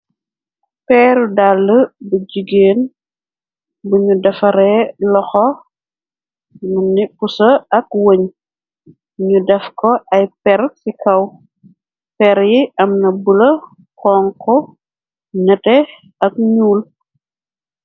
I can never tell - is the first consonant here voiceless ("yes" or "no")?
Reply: yes